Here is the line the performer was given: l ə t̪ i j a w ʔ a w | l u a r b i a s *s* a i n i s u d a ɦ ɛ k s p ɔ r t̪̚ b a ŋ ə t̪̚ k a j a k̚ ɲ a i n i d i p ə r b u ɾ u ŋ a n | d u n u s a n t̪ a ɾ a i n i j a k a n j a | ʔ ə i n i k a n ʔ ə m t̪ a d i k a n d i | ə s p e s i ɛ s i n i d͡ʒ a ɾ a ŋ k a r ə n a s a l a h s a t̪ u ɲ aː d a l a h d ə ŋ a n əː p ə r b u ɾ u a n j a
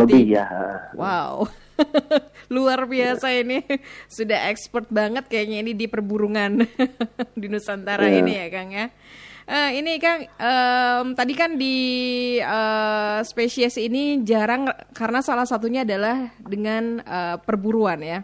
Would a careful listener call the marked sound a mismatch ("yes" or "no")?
no